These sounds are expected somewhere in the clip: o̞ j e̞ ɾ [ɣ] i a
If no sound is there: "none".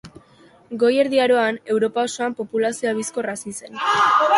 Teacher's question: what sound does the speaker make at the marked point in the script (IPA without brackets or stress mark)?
ð